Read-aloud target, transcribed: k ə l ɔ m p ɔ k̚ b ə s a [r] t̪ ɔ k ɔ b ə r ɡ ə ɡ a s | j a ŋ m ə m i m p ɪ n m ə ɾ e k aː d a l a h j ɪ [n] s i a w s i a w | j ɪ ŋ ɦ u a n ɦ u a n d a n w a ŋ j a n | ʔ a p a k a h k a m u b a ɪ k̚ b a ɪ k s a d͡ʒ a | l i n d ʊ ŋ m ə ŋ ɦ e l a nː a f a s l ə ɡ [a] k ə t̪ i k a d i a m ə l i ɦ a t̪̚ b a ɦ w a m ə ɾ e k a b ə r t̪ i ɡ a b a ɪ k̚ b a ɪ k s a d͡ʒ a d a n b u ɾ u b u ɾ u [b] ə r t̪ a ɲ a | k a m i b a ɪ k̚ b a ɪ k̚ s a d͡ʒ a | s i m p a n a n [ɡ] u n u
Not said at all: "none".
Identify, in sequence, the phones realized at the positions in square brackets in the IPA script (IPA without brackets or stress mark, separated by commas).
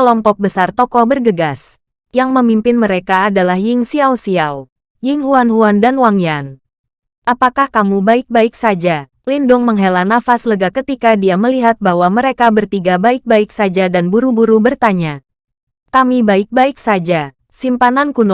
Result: r, ŋ, a, b, k